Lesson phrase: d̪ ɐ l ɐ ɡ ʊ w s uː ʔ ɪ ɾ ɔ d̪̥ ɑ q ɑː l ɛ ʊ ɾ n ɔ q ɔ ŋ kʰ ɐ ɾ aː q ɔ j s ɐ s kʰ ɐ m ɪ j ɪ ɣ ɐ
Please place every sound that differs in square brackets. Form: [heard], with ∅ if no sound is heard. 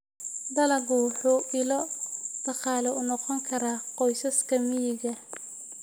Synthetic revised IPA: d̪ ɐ l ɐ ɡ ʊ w [ħ] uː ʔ ɪ [l] ɔ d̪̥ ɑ q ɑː l ɛ ʊ [∅] n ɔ q ɔ ŋ kʰ ɐ ɾ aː q ɔ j s ɐ s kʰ ɐ m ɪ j ɪ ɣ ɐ